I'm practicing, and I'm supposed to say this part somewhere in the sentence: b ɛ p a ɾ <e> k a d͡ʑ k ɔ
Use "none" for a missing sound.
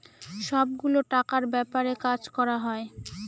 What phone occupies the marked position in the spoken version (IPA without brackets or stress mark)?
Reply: e